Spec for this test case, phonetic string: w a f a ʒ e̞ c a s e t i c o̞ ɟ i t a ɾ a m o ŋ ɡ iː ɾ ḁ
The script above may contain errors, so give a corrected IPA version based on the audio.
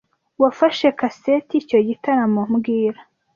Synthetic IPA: w a f a ʃ e̞ k a s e t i c o̞ ɟ i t a ɾ a m o m ɡ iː ɾ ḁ